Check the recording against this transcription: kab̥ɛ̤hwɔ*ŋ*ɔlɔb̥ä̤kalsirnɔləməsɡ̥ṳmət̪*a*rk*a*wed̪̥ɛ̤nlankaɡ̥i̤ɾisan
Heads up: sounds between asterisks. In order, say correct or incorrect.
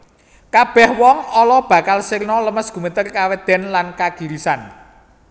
correct, incorrect, correct

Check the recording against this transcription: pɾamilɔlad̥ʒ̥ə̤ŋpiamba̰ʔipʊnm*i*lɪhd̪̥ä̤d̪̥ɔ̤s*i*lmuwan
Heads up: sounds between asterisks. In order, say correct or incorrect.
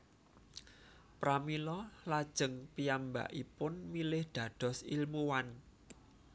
correct, correct

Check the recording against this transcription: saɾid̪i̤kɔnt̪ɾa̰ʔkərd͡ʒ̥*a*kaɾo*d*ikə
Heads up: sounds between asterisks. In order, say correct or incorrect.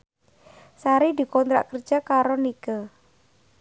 correct, incorrect

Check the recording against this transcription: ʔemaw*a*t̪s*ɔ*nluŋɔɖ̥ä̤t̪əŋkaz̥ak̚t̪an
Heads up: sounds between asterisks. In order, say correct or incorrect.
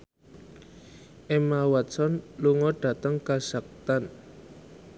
correct, correct

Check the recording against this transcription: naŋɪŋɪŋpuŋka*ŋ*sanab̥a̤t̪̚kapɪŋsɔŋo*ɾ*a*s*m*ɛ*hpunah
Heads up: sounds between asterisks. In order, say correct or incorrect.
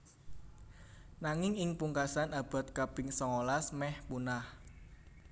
incorrect, incorrect, correct, correct

